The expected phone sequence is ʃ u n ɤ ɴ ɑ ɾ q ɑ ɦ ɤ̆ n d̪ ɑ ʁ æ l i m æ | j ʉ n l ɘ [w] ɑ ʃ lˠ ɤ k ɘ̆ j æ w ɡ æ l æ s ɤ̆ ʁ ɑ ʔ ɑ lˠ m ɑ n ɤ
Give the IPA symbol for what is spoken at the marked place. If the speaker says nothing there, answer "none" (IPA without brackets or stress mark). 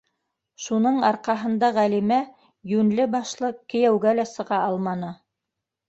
b